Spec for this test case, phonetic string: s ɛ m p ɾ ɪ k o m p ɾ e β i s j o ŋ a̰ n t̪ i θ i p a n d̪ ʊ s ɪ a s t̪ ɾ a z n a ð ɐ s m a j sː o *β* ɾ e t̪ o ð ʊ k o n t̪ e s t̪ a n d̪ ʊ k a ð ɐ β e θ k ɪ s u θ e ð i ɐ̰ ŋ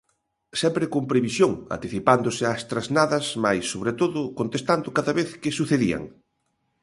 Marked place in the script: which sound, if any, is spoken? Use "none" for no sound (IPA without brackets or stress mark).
β